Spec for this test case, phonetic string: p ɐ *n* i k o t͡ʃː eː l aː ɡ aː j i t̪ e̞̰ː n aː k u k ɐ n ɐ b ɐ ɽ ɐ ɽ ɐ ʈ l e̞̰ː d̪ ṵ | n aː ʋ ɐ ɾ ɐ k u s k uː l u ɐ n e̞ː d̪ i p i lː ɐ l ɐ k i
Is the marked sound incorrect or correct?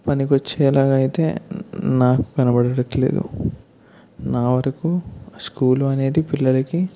correct